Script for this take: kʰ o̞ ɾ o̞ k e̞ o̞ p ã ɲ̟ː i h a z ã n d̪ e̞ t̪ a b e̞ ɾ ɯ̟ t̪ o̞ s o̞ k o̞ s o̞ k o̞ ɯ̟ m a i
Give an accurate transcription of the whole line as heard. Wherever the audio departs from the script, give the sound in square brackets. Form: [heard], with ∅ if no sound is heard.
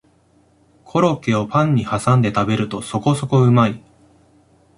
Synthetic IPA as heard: kʰ o̞ ɾ o̞ k e̞ o̞ p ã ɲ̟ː i h a [s] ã n d̪ e̞ t̪ a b e̞ ɾ ɯ̟ t̪ o̞ s o̞ k o̞ s o̞ k o̞ ɯ̟ m a i

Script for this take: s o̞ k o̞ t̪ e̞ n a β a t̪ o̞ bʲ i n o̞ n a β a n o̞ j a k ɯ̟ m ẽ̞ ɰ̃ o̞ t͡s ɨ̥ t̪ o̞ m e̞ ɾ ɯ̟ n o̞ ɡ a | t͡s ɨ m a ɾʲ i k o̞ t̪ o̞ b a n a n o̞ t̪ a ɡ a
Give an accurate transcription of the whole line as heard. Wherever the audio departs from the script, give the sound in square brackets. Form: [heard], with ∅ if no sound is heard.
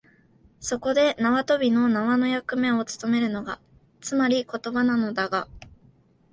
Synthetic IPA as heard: s o̞ k o̞ [d̪] e̞ n a β a t̪ o̞ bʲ i n o̞ n a β a n o̞ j a k ɯ̟ m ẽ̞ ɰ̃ o̞ t͡s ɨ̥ t̪ o̞ m e̞ ɾ ɯ̟ n o̞ ɡ a | t͡s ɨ m a ɾʲ i k o̞ t̪ o̞ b a n a n o̞ [d̪] a ɡ a

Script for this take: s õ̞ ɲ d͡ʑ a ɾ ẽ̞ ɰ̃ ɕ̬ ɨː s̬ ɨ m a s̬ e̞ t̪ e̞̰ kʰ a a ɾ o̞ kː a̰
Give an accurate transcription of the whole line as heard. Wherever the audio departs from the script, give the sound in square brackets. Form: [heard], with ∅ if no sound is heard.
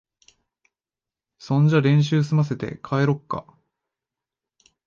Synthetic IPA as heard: s õ̞ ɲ d͡ʑ a ɾ ẽ̞ ɰ̃ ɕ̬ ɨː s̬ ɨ m a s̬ e̞ t̪ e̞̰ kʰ a [e] ɾ o̞ kː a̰

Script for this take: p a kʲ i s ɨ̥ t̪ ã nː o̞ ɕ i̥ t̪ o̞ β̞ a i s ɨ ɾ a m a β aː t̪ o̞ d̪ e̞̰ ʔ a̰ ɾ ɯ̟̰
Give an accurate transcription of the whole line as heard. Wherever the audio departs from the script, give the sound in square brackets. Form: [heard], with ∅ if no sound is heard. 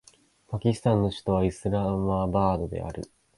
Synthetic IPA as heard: p a kʲ i s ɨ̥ t̪ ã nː o̞ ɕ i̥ t̪ o̞ β̞ a i s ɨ ɾ a m a [b] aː [d̪] o̞ d̪ e̞̰ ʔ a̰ ɾ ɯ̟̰

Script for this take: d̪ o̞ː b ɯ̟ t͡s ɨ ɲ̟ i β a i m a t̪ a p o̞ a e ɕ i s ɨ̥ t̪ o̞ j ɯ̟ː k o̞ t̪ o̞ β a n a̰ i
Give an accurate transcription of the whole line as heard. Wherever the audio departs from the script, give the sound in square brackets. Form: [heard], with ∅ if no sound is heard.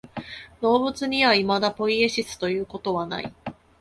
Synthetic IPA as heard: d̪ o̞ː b ɯ̟ t͡s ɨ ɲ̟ i β a i m a [d̪] a p o̞ [i] e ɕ i s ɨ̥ t̪ o̞ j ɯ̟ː k o̞ t̪ o̞ β a n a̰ i

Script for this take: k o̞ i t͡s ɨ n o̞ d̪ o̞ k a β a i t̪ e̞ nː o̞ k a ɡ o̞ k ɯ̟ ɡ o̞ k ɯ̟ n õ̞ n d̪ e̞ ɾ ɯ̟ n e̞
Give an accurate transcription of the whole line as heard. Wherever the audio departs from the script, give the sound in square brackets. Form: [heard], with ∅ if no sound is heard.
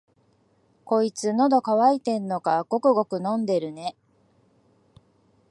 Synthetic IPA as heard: k o̞ i t͡s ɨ n o̞ d̪ o̞ k a β a i t̪ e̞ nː o̞ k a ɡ o̞ k ɯ̟ ɡ o̞ k ɯ̟ n õ̞ n d̪ e̞ ɾ ɯ̟ n e̞

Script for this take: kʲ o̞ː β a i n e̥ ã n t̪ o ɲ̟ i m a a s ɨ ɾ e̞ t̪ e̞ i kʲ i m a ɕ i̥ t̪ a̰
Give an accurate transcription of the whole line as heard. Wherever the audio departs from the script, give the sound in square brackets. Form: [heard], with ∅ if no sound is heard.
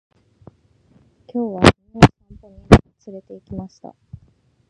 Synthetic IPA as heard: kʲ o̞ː β a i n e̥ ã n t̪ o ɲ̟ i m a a [t͡s] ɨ ɾ e̞ t̪ e̞ i kʲ i m a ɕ i̥ t̪ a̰

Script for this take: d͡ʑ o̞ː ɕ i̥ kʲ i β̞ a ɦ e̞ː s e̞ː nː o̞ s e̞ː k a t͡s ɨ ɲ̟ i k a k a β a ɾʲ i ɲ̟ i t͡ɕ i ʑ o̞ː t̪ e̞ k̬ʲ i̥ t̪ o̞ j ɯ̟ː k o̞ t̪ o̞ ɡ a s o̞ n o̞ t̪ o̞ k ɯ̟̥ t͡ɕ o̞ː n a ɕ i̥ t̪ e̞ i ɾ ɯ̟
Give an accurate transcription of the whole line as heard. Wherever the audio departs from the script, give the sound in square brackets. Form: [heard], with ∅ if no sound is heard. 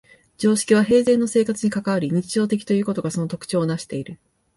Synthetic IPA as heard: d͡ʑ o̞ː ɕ i̥ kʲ i β̞ a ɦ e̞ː [z] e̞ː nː o̞ s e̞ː k a t͡s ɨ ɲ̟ i k a k a β a ɾʲ i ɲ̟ i t͡ɕ i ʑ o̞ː t̪ e̞ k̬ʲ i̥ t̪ o̞ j ɯ̟ː k o̞ t̪ o̞ ɡ a s o̞ n o̞ t̪ o̞ k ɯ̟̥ t͡ɕ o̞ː n a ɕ i̥ t̪ e̞ i ɾ ɯ̟

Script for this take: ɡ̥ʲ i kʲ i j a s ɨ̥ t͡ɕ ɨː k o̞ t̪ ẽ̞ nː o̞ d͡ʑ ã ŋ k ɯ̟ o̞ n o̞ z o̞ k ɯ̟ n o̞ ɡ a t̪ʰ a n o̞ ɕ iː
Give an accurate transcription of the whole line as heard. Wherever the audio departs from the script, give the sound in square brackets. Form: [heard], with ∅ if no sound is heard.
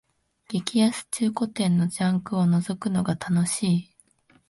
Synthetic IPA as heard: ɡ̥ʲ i kʲ i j a s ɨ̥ t͡ɕ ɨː k o̞ t̪ ẽ̞ nː o̞ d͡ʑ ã ŋ k ɯ̟ o̞ n o̞ z o̞ k ɯ̟ n o̞ ɡ a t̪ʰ a n o̞ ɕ iː

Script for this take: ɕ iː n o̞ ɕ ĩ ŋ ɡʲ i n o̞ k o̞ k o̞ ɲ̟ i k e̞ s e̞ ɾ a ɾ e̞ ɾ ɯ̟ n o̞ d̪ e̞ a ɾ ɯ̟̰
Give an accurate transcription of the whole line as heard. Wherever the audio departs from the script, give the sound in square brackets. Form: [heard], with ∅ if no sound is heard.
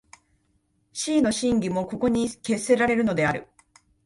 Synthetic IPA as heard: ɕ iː n o̞ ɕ ĩ ŋ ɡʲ i [m] o̞ k o̞ k o̞ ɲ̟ i k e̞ s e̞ ɾ a ɾ e̞ ɾ ɯ̟ n o̞ d̪ e̞ a ɾ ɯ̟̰

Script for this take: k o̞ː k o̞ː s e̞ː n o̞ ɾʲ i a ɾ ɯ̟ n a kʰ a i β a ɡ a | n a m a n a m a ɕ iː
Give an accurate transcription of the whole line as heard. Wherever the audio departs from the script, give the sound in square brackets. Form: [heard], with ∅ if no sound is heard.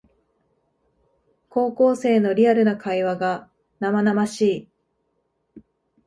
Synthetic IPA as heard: k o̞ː k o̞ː s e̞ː n o̞ ɾʲ i a ɾ ɯ̟ n a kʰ a i β a ɡ a | n a m a n a m a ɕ iː

